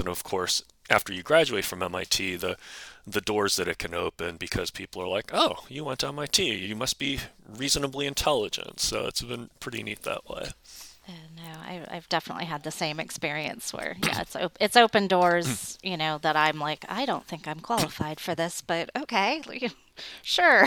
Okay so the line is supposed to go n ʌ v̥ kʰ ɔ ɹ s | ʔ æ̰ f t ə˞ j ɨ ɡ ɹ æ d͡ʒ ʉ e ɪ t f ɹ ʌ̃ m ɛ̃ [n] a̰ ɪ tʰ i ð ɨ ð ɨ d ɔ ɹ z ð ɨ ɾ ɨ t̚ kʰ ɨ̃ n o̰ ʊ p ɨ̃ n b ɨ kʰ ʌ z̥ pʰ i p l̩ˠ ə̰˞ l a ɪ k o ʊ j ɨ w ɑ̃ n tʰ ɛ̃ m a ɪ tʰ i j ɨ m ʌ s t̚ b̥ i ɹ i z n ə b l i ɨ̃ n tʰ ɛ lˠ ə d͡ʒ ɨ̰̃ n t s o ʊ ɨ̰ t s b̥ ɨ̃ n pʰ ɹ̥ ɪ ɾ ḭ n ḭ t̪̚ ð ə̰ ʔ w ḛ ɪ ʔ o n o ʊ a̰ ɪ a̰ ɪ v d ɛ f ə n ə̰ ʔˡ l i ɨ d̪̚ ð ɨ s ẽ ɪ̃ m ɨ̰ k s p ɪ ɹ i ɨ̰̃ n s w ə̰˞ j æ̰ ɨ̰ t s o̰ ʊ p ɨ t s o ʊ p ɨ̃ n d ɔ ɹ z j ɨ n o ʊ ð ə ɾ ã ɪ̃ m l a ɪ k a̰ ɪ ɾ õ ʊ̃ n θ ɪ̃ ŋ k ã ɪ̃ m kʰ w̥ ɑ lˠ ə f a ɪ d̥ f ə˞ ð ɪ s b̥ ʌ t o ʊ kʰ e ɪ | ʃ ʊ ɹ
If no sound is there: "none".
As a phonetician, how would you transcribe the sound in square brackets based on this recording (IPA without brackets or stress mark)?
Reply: m